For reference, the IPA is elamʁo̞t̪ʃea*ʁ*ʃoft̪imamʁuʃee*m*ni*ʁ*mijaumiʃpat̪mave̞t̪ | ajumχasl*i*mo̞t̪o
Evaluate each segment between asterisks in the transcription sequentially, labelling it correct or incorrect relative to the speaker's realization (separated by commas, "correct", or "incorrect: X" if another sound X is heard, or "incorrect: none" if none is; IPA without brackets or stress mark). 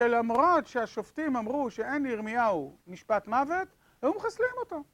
incorrect: none, incorrect: none, correct, correct